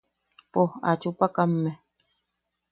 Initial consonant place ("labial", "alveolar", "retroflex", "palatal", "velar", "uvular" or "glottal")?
labial